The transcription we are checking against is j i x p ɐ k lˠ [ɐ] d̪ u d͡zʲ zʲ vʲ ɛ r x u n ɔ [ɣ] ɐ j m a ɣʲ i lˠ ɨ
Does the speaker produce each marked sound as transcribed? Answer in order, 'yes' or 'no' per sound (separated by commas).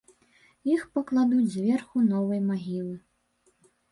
no, no